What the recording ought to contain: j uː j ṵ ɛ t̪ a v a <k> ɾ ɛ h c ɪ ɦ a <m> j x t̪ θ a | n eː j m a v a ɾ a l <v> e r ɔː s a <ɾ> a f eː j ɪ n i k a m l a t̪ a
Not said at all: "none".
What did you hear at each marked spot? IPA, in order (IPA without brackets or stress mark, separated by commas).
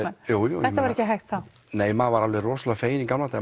none, none, v, l